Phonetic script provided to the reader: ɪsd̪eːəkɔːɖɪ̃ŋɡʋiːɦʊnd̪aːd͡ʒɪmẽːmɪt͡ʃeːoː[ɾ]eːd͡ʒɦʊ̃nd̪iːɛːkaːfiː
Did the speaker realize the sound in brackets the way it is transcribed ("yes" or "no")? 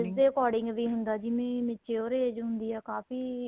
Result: yes